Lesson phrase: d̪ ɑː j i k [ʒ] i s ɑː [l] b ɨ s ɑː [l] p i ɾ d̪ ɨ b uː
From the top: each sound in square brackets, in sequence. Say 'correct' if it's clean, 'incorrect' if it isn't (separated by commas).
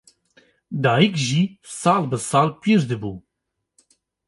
correct, correct, correct